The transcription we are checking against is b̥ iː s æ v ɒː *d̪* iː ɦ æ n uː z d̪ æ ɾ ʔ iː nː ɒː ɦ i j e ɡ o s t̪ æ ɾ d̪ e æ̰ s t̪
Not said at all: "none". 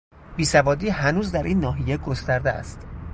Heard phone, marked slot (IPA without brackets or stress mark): d̪